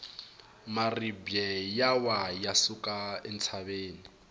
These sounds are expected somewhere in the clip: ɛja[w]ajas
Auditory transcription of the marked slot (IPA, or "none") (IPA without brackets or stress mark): w